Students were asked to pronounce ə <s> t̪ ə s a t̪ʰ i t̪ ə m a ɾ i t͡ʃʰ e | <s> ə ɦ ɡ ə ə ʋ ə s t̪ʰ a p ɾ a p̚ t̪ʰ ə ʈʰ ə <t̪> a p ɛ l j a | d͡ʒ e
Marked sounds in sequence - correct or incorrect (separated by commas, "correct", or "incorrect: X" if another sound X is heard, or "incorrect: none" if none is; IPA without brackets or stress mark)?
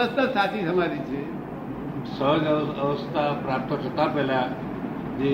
correct, correct, correct